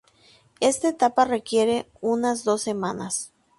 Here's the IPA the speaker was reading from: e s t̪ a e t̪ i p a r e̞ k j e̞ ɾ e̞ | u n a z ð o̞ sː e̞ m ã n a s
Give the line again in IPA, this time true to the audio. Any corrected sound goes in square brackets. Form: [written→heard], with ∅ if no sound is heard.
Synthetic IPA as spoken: e s t̪ a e t̪ [i→a] p a r e̞ k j e̞ ɾ e̞ | u n a z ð o̞ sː e̞ m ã n a s

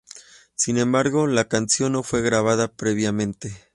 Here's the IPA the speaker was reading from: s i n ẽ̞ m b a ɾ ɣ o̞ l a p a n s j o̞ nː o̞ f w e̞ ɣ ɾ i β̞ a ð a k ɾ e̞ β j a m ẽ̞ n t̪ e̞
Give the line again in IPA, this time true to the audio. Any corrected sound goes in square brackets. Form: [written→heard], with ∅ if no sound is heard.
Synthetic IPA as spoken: s i n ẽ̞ m b a ɾ ɣ o̞ l a [p→k] a n s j o̞ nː o̞ f w e̞ ɣ ɾ [i→a] β̞ a ð a [k→p] ɾ e̞ β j a m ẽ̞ n t̪ e̞

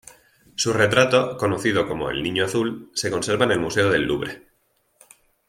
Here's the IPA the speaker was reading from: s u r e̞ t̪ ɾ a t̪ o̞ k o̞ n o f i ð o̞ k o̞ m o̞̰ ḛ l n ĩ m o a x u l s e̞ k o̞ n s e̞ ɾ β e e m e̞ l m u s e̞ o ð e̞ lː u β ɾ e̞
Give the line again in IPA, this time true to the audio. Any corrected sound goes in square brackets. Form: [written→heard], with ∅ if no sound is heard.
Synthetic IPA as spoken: s u r e̞ t̪ ɾ a t̪ o̞ k o̞ n o [f→θ] i ð o̞ k o̞ m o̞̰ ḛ l n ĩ [m→ɲ] o a [x→θ] u l s e̞ k o̞ n s e̞ ɾ β [e→a] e [m→n] e̞ l m u s e̞ o ð e̞ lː u β ɾ e̞

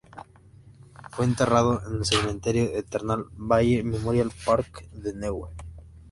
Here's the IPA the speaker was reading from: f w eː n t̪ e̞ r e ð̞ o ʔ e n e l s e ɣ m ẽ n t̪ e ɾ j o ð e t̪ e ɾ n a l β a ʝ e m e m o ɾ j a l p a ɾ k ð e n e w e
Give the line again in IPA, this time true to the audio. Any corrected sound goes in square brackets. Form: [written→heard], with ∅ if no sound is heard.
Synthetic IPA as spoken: f w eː n t̪ e̞ r [e→a] ð̞ o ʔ e n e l s e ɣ m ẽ n t̪ e ɾ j o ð e t̪ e ɾ n a l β a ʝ e m e m o ɾ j a l p a ɾ k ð e n e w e

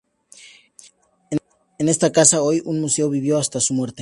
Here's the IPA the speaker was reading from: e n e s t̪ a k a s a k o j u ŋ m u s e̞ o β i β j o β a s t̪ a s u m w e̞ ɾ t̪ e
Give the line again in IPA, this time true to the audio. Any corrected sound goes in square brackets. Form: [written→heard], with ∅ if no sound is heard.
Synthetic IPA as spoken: e n e s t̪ a k a s a [k→∅] o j u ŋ m u s e̞ o β i β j o [β→∅] a s t̪ a s u m w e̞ ɾ t̪ e

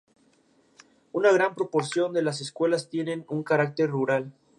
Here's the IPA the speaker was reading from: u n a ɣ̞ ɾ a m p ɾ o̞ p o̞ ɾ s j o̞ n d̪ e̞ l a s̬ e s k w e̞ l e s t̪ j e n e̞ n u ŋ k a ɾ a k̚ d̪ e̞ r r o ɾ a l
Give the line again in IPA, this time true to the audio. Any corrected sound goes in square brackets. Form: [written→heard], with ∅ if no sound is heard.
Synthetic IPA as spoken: u n a ɣ̞ ɾ a m p ɾ o̞ p o̞ ɾ s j o̞ n d̪ e̞ l a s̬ e s k w e̞ l [e→a] s t̪ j e n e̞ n u ŋ k a ɾ a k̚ [d̪→t̪] e̞ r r [o→u] ɾ a l

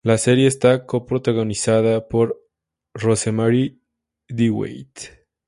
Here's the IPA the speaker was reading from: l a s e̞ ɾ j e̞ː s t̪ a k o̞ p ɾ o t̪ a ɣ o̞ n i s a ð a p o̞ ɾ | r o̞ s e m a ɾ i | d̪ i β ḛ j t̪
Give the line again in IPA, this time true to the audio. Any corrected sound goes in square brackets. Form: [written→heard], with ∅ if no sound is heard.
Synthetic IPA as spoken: l a s e̞ ɾ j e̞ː s t̪ a k o̞ p ɾ o t̪ a ɣ o̞ n i s a ð a p o̞ ɾ | r o̞ s e m a ɾ i | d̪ i [β→w] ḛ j t̪

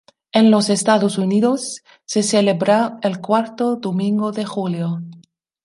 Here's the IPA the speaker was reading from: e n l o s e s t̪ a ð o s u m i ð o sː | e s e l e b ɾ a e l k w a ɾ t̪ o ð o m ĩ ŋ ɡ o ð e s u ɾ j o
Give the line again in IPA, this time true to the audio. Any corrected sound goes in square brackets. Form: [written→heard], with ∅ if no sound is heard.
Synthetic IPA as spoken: e n l o s e s t̪ a ð o s u [m→n] i ð o sː | e s e l e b ɾ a e l k w a ɾ t̪ o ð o m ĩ ŋ ɡ o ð e [s→x] u [ɾ→l] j o

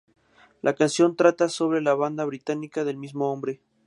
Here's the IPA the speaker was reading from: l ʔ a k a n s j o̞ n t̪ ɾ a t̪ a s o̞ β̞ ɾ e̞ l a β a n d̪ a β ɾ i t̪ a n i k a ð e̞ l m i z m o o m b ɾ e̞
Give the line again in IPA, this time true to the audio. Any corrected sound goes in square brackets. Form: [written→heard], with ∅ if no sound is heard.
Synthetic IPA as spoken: l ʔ a k a n s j o̞ n t̪ ɾ a t̪ a s o̞ β̞ ɾ e̞ l a β a n d̪ a β ɾ i t̪ a n i k a ð e̞ l m i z m o o m b ɾ e̞

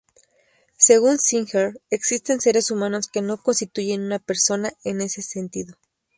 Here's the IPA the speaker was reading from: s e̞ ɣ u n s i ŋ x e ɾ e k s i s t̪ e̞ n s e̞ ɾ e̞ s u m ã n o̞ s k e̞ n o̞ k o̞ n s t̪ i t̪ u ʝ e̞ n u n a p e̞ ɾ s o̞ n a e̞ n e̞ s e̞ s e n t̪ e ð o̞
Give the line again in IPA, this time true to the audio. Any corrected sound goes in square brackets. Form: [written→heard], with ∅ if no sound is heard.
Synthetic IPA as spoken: s e̞ ɣ u n s i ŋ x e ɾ e k s i s t̪ e̞ n s e̞ ɾ e̞ s u m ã n o̞ s k e̞ n o̞ k o̞ n s t̪ i t̪ u ʝ e̞ n u n a p e̞ ɾ s o̞ n a e̞ n e̞ s e̞ s e n t̪ [e→i] ð o̞

